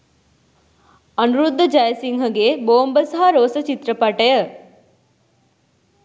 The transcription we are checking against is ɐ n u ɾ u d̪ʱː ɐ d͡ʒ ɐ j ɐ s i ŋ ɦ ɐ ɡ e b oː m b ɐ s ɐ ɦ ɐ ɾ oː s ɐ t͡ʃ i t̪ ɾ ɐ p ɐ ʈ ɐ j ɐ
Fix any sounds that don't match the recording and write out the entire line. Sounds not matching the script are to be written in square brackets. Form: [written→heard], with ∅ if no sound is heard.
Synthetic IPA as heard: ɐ n u ɾ u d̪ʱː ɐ d͡ʒ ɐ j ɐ s i ŋ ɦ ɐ ɡ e b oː m b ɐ s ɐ ɦ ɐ ɾ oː s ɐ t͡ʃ i t̪ ɾ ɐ p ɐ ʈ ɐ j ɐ